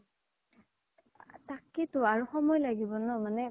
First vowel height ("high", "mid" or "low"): low